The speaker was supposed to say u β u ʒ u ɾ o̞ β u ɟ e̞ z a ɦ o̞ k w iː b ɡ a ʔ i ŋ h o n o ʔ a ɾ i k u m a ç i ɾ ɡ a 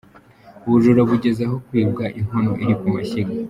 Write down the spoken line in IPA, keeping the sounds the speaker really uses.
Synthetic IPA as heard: u β u ʒ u ɾ o̞ β u ɟ e̞ z a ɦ o̞ k w iː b ɡ a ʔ i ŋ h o n o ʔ i ɾ i k u m a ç i ɡ a